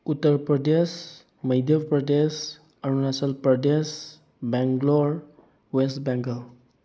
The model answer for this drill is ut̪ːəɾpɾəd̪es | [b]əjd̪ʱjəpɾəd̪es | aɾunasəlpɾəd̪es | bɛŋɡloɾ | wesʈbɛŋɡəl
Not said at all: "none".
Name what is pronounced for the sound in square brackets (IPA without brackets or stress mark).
m